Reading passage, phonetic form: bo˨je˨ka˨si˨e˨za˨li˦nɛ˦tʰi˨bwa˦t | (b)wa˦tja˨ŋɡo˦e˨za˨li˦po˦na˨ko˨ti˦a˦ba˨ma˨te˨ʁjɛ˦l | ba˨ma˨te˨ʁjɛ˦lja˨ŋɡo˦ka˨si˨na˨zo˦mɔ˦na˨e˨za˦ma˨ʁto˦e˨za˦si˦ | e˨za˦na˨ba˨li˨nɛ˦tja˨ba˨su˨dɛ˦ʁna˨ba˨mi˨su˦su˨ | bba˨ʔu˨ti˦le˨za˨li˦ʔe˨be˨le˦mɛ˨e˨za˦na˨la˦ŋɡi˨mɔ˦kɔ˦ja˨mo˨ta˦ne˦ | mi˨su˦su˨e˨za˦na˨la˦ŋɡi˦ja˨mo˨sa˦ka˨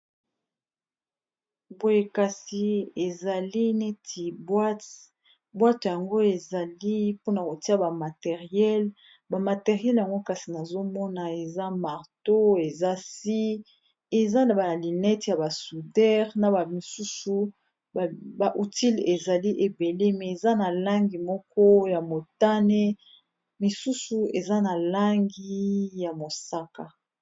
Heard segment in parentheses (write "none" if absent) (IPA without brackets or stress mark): b